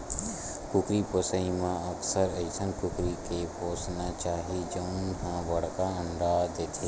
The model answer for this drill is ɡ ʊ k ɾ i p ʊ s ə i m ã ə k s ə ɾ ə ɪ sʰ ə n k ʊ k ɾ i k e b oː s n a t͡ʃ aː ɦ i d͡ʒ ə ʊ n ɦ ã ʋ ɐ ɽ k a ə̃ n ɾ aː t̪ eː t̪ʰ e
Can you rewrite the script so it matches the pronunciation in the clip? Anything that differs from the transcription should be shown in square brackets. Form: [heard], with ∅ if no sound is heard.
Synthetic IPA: [k] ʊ k ɾ i p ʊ s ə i m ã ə k s ə ɾ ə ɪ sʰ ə n k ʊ k ɾ i k e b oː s n a t͡ʃ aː ɦ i d͡ʒ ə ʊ n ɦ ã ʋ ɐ ɽ k a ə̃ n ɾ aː [d̪] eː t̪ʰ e

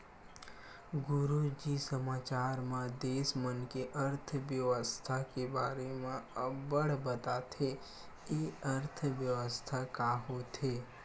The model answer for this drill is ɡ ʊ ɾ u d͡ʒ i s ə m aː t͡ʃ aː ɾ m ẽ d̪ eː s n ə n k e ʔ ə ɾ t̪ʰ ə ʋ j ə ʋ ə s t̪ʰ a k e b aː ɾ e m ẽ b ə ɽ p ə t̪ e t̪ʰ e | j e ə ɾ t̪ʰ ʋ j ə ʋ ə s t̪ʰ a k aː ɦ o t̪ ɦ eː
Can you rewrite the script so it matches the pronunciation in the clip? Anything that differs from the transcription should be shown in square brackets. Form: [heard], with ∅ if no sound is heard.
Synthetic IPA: ɡ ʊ ɾ u d͡ʒ i s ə m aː t͡ʃ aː ɾ m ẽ d̪ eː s [m] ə n k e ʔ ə ɾ t̪ʰ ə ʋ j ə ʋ ə s t̪ʰ a k e b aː ɾ e m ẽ b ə ɽ [b] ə t̪ [a] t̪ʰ e | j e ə ɾ t̪ʰ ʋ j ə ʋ ə s t̪ʰ a k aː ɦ o t̪ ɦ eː

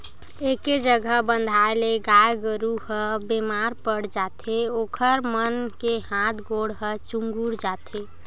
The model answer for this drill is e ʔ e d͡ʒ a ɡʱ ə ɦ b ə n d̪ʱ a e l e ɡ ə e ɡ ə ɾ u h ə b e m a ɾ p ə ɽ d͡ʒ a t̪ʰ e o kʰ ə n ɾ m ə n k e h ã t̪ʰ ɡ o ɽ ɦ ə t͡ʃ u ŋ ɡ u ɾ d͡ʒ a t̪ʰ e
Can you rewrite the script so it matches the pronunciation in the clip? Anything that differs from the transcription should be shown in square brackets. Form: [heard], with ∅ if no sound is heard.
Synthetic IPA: e [k] e d͡ʒ [ə] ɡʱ ə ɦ b ə n d̪ʱ a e l e ɡ [a] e ɡ ə ɾ u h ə b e m a ɾ p ə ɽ d͡ʒ a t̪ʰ e o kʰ ə [∅] ɾ m ə n k e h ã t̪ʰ ɡ o ɽ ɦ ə t͡ʃ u ŋ ɡ u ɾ d͡ʒ a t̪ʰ e

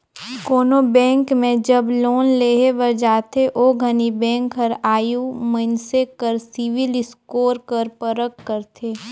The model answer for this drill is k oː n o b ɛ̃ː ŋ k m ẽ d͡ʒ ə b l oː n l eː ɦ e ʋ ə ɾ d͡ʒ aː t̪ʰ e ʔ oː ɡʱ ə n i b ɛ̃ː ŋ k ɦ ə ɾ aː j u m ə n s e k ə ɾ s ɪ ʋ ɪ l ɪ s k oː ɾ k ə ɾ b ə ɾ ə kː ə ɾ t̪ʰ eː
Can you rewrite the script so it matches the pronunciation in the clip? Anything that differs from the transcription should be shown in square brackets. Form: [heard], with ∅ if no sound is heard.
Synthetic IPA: k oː n o b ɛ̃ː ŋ k m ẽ d͡ʒ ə b l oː n l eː ɦ e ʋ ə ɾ d͡ʒ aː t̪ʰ e ʔ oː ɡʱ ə n i b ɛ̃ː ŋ k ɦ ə ɾ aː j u m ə n s e k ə ɾ s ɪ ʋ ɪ l ɪ s k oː ɾ k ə ɾ [p] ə ɾ ə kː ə ɾ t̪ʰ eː

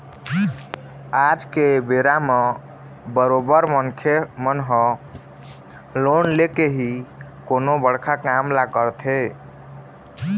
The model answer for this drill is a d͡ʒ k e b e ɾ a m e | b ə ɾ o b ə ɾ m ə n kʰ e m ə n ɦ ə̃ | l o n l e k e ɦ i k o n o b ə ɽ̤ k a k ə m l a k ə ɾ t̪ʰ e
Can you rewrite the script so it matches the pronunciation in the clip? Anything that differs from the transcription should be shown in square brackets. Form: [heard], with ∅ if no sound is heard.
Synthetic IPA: a d͡ʒ k e b e ɾ a m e | b ə ɾ o b ə ɾ m ə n kʰ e m ə n ɦ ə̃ | l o n l e k e ɦ i k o n o b ə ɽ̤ [kʰ] a k [a] m l a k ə ɾ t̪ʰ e

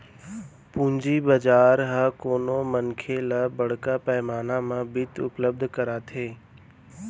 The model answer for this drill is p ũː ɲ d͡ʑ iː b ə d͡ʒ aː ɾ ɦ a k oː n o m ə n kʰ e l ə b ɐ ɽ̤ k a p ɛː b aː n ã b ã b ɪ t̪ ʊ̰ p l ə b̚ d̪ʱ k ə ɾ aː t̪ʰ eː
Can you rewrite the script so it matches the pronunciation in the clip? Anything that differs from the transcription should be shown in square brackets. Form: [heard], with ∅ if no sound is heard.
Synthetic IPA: p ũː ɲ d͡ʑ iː b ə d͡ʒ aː ɾ ɦ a k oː n o m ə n kʰ e l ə b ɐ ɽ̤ k a p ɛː [m] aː n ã [m] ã b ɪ t̪ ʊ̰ p l ə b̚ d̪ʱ k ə ɾ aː t̪ʰ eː

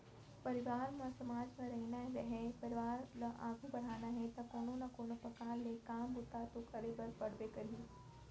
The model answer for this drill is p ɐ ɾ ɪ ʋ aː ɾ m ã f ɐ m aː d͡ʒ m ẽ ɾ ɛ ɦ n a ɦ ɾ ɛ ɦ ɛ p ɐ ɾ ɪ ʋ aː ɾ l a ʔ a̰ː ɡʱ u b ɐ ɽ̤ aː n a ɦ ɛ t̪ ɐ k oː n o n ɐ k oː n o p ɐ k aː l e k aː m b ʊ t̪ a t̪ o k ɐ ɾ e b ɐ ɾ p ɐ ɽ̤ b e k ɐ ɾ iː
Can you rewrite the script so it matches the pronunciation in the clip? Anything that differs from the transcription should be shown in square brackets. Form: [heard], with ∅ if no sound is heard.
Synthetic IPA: p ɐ ɾ ɪ ʋ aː ɾ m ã [s] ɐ m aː d͡ʒ m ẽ ɾ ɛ ɦ n a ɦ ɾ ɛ ɦ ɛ p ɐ ɾ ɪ ʋ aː ɾ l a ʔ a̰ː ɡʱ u b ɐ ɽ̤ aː n a ɦ ɛ t̪ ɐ k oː n o n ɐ k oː n o p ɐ k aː l e k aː m b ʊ t̪ a t̪ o k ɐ ɾ e b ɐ ɾ p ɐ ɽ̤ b e k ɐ ɾ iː

